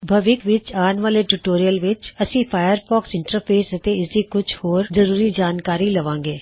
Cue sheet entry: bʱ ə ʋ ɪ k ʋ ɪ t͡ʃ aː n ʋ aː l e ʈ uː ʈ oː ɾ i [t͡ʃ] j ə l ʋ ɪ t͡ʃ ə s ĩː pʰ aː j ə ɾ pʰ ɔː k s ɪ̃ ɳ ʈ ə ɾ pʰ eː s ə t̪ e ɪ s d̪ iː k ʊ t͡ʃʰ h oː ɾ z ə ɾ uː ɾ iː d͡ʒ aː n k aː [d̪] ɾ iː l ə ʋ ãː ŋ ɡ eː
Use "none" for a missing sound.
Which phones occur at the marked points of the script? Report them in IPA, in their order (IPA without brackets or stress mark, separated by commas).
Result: none, none